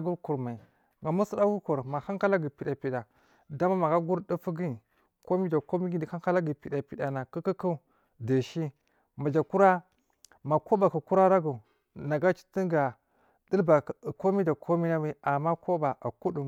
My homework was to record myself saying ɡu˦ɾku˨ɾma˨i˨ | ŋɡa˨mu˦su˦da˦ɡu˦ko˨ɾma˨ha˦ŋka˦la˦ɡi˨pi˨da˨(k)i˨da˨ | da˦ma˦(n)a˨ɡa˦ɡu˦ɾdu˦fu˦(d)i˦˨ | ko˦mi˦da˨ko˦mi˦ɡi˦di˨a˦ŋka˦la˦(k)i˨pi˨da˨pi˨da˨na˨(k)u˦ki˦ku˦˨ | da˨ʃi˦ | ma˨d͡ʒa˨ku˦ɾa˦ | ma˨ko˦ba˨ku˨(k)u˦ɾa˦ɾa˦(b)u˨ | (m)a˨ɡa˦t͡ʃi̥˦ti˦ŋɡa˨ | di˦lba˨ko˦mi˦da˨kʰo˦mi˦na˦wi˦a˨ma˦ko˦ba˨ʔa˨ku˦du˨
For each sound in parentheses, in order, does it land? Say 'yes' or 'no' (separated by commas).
no, no, no, no, yes, yes, no, no